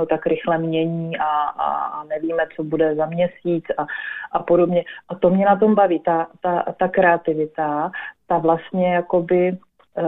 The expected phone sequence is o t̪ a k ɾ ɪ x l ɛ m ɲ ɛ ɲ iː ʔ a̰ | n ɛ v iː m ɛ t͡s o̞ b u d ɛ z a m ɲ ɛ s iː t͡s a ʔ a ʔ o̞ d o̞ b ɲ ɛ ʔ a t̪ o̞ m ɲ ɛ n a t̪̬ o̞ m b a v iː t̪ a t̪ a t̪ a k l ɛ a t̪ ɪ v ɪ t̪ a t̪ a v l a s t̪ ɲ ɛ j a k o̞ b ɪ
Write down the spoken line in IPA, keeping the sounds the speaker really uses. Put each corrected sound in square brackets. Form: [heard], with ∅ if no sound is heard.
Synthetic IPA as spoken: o t̪ a k ɾ ɪ x l ɛ m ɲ ɛ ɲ iː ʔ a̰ | n ɛ v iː m ɛ t͡s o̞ b u d ɛ z a m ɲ ɛ s iː t͡s a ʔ a [p] o̞ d o̞ b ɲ ɛ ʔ a t̪ o̞ m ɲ ɛ n a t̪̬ o̞ m b a v iː t̪ a t̪ a t̪ a k [ɾ] ɛ a t̪ ɪ v ɪ t̪ a t̪ a v l a s t̪ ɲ ɛ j a k o̞ b ɪ